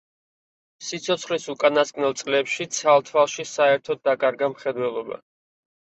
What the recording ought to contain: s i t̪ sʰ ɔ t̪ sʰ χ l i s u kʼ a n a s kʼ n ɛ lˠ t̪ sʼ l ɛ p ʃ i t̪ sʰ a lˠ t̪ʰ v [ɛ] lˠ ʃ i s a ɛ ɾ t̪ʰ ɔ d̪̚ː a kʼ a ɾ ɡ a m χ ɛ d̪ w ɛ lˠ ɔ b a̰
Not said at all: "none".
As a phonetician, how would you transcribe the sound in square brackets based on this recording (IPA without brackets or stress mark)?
a